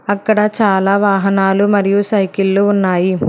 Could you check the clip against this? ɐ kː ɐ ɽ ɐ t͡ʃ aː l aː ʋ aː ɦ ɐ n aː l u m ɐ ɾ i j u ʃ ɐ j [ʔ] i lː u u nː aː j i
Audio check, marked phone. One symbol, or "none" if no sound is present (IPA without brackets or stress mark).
k